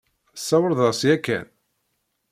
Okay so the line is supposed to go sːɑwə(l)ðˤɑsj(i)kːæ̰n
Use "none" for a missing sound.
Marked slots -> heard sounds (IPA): ɾ, æ

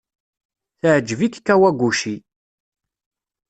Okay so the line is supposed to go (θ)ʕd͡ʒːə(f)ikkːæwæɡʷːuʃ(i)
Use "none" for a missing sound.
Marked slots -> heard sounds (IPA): θ, v, i

